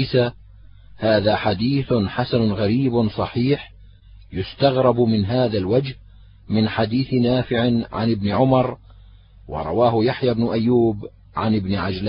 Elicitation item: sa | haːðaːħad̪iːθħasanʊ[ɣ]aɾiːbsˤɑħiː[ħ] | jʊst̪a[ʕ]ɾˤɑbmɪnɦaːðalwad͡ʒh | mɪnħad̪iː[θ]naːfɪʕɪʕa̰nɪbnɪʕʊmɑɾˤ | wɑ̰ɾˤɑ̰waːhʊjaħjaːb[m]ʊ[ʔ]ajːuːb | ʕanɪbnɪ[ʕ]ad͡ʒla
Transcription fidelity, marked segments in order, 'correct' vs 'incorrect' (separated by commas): correct, correct, incorrect, correct, incorrect, correct, correct